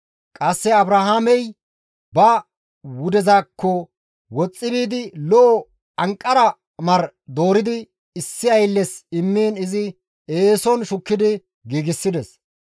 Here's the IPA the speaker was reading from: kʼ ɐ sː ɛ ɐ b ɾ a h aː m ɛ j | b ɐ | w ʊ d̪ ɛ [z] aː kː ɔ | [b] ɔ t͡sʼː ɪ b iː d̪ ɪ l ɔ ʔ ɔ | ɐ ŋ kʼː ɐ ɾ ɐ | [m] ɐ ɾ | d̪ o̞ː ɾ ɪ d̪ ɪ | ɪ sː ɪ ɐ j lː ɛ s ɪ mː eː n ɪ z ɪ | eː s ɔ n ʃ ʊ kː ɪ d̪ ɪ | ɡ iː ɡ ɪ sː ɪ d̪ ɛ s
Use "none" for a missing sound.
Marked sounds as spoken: z, w, m

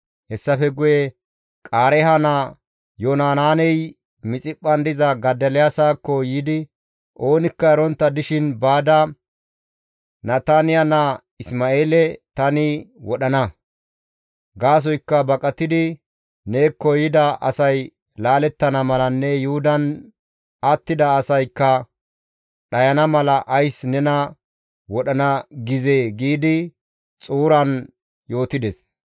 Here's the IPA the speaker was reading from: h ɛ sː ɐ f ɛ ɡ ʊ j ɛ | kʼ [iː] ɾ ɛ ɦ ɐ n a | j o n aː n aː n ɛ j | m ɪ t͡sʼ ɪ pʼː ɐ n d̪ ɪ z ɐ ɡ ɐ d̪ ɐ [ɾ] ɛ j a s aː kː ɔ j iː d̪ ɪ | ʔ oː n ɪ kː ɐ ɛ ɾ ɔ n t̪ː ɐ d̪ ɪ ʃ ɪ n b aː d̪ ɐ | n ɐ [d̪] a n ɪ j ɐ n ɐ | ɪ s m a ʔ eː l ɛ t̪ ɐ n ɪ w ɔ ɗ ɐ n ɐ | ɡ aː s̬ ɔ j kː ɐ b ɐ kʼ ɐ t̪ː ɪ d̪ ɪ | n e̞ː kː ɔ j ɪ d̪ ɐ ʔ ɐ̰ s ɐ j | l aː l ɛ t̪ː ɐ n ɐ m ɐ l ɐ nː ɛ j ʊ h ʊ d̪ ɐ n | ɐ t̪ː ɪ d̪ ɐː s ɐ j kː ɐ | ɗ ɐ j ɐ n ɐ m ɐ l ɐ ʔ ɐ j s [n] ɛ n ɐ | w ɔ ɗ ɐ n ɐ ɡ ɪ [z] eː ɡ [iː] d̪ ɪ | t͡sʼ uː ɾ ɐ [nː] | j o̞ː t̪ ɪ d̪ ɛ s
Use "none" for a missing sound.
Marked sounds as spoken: aː, l, t̪, n, z, iː, n

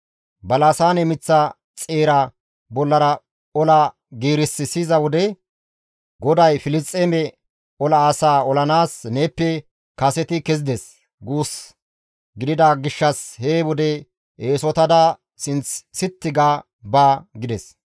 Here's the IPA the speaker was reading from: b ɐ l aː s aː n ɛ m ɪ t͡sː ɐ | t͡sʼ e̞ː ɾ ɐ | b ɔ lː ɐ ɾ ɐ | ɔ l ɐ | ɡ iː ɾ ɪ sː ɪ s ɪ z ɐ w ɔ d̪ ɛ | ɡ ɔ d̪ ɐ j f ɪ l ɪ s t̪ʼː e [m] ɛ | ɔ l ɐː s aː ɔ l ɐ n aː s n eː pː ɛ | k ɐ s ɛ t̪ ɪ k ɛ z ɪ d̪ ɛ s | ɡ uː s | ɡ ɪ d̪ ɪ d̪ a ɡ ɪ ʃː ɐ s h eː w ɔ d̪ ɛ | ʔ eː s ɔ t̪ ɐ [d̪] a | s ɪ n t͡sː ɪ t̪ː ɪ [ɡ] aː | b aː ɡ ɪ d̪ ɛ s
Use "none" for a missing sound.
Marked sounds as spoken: m, d̪, ɡ

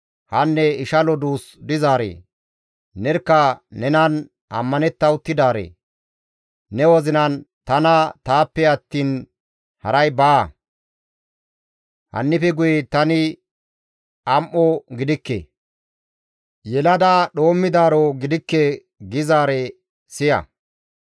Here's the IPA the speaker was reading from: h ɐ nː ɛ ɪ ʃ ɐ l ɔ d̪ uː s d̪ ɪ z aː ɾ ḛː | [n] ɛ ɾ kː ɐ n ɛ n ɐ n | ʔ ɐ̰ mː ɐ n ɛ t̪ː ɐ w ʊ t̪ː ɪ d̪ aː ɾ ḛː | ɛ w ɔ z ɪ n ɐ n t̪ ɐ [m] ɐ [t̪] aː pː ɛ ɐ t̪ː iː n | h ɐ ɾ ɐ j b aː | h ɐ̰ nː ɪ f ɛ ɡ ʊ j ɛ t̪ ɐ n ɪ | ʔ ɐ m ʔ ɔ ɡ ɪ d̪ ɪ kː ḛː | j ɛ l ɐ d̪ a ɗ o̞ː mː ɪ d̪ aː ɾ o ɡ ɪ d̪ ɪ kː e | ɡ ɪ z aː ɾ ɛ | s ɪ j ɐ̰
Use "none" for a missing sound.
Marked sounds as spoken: n, n, t̪

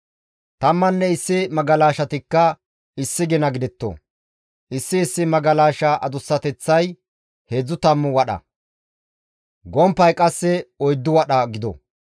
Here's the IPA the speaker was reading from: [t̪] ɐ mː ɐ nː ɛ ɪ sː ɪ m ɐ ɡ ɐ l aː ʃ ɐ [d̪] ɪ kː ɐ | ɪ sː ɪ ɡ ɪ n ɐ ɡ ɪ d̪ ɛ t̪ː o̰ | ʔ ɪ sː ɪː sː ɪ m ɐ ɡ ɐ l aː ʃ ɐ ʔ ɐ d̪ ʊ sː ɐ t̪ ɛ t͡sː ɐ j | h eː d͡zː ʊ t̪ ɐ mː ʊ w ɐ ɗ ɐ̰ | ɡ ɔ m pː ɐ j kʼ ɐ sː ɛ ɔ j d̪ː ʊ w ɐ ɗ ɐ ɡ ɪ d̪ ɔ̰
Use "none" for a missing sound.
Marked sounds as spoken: t̪, t̪

